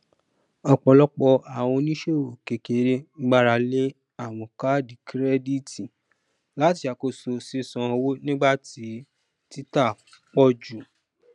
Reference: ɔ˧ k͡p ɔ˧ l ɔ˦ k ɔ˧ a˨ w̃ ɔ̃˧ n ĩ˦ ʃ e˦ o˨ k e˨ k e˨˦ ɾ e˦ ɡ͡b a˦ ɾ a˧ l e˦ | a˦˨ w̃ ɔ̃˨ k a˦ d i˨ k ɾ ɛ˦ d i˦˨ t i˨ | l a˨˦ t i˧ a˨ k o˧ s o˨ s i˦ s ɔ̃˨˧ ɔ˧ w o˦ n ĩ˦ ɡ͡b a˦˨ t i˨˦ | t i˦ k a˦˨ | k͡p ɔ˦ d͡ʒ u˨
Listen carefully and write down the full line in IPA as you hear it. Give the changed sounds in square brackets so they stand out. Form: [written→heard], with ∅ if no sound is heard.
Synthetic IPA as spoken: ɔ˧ k͡p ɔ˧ l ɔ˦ [k→k͡p] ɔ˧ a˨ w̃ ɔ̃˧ n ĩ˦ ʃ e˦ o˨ k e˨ k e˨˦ ɾ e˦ ɡ͡b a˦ ɾ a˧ l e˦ | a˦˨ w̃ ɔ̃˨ k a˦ d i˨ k ɾ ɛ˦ d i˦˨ t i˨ | l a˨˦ t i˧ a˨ k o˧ s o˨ s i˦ s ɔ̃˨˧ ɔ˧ w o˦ n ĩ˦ ɡ͡b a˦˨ t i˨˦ | t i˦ [k→t] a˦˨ | k͡p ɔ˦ d͡ʒ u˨

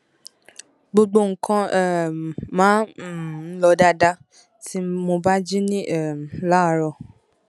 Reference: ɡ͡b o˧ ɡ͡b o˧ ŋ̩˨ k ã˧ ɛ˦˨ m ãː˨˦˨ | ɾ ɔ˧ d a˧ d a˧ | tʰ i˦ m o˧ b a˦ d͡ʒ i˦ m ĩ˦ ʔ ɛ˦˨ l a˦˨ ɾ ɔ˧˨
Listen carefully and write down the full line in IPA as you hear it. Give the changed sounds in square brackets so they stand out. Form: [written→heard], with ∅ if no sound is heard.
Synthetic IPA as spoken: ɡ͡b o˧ ɡ͡b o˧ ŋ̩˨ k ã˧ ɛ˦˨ m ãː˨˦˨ | [ɾ→l] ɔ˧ d a˧ d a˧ | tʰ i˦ m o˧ b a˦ d͡ʒ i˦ [m→n] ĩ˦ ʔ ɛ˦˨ l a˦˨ ɾ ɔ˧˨

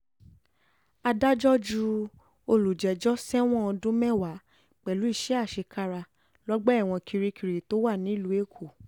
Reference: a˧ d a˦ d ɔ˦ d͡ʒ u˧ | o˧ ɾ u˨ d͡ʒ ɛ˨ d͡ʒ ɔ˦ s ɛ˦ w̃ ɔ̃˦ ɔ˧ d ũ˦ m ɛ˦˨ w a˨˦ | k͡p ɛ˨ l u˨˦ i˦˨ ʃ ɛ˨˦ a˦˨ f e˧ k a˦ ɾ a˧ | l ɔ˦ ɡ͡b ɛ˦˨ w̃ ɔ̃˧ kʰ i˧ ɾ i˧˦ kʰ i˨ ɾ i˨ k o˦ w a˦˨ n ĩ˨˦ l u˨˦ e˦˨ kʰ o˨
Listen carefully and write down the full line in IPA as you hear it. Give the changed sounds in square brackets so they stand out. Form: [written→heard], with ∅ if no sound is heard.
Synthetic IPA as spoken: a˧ d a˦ [d→d͡ʒ] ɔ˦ d͡ʒ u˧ | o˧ [ɾ→l] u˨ d͡ʒ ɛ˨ d͡ʒ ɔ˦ s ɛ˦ w̃ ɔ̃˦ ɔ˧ d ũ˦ m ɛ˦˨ w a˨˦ | k͡p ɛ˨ l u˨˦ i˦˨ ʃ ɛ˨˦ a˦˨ [f→ʃ] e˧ k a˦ ɾ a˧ | l ɔ˦ ɡ͡b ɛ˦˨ w̃ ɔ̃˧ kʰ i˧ ɾ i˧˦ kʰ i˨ ɾ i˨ [k→t] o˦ w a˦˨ n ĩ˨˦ l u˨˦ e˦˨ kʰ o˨

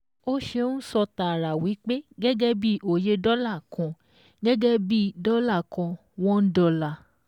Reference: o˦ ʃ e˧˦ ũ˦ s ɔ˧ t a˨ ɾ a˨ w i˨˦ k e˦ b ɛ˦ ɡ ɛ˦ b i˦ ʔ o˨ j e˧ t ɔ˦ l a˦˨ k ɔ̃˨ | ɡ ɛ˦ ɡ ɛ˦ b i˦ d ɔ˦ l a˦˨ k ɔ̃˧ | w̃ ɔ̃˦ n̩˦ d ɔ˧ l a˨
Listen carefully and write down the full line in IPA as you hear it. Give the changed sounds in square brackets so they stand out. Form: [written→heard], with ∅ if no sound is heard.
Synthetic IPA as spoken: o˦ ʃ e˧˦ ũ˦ s ɔ˧ t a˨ ɾ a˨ w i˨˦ [k→k͡p] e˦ [b→ɡ] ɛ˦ ɡ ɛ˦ b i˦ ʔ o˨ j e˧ [t→d] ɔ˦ l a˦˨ k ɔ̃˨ | ɡ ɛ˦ ɡ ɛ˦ b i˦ d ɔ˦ l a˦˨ k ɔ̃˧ | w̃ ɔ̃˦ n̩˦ d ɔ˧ l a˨

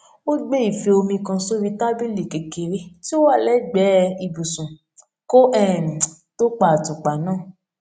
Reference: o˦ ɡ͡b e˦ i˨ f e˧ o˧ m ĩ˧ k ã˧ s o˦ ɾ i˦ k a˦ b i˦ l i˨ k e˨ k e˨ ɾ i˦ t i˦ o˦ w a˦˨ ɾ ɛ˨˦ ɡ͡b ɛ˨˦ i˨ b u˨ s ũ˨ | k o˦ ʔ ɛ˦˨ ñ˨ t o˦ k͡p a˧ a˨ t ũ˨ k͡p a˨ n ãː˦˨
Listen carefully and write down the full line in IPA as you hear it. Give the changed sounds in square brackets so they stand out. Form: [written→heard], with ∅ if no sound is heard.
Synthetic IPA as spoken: o˦ ɡ͡b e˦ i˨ f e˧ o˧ m ĩ˧ k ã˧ s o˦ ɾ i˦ [k→t] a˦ b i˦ l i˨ k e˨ k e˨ ɾ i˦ t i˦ o˦ w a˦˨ [ɾ→l] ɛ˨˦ ɡ͡b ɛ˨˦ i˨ b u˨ s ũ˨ | k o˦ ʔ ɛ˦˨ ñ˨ t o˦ k͡p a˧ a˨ t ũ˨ k͡p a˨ n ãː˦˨

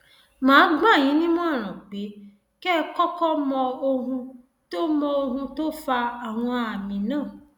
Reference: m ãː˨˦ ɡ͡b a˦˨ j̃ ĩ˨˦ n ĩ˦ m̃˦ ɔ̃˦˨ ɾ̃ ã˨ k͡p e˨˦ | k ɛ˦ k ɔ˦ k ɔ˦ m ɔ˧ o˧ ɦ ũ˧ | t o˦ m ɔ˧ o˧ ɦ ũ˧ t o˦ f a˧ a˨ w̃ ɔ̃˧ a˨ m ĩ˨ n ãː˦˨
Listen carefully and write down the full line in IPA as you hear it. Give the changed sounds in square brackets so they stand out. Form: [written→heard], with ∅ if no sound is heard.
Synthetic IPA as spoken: m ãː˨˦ ɡ͡b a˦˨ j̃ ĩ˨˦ n ĩ˦ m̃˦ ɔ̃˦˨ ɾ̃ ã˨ k͡p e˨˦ | k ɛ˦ k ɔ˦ k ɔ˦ m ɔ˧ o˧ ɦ ũ˧ | t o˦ m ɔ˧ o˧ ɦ ũ˧ t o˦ f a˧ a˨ w̃ ɔ̃˧ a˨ m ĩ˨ n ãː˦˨

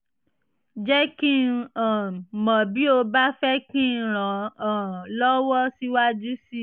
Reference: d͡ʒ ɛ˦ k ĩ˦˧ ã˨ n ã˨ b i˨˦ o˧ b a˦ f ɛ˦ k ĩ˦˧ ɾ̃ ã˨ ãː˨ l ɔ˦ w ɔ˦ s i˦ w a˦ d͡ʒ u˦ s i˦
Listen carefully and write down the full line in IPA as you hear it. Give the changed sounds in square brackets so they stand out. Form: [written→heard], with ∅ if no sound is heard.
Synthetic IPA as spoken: d͡ʒ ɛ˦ k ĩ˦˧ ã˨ [n→m] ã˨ b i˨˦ o˧ b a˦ f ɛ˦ k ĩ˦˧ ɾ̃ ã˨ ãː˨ l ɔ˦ w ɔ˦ s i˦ w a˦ d͡ʒ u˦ s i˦

